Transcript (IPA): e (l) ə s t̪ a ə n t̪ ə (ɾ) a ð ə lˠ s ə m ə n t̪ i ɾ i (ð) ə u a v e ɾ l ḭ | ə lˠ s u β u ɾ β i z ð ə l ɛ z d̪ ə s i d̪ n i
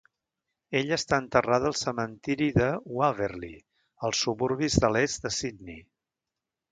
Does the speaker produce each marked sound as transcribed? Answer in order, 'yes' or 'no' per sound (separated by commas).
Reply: no, no, yes